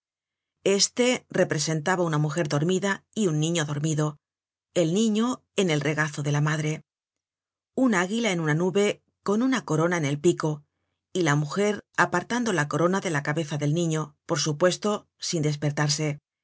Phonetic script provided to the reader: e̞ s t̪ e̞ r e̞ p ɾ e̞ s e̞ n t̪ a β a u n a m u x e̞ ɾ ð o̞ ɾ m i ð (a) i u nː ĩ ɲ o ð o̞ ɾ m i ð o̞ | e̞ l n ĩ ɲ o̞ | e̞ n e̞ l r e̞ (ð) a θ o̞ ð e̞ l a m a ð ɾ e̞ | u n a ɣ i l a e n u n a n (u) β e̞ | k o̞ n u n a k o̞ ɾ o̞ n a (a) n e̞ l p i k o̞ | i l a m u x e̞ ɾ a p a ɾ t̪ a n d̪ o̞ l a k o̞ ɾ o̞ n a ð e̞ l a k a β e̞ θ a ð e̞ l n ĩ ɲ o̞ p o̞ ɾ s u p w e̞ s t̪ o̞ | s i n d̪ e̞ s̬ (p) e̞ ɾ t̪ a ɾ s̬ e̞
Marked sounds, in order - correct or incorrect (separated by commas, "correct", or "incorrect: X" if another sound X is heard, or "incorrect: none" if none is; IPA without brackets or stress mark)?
correct, incorrect: ɣ, correct, incorrect: e, correct